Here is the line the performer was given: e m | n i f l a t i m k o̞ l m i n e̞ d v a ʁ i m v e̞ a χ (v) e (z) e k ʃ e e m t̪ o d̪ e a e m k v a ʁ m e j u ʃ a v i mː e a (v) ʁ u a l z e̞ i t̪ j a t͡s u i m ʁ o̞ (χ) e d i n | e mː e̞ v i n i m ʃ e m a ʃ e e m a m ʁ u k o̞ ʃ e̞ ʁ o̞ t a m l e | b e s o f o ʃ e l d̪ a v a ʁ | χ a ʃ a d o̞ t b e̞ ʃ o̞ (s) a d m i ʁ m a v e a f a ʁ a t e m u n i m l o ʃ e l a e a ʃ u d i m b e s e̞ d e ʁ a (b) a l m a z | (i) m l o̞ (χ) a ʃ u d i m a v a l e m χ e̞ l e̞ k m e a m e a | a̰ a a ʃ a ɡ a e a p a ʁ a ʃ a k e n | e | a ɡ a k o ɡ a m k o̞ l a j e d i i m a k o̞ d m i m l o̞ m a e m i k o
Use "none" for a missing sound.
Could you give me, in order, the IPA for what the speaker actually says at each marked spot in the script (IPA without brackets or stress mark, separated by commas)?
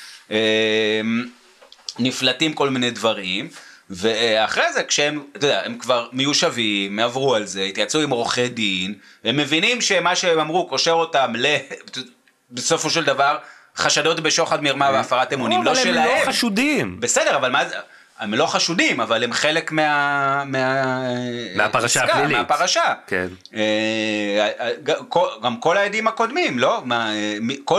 ʁ, z, v, χ, χ, v, e, χ